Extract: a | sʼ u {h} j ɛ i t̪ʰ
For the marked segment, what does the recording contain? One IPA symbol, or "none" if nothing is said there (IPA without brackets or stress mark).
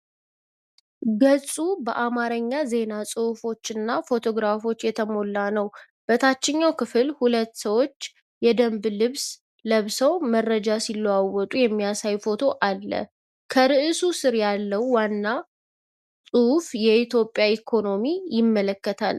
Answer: f